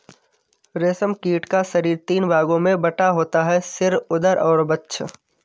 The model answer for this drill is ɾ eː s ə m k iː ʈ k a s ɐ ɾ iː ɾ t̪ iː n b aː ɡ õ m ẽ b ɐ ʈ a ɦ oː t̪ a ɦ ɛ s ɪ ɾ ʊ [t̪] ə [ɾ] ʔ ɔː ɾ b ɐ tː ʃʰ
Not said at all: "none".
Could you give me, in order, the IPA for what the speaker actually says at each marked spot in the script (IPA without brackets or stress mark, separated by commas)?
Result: d̪, ɾ